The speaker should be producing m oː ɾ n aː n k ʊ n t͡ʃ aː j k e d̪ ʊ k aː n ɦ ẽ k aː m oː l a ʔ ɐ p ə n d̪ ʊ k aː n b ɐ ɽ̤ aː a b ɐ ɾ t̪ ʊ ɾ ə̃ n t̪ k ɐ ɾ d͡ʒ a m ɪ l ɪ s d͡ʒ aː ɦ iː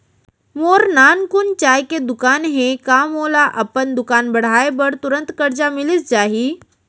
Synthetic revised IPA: m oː ɾ n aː n k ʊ n t͡ʃ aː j k e d̪ ʊ k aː n ɦ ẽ k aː m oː l a ʔ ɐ p ə n d̪ ʊ k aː n b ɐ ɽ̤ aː e b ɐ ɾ t̪ ʊ ɾ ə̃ n t̪ k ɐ ɾ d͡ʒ a m ɪ l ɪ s d͡ʒ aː ɦ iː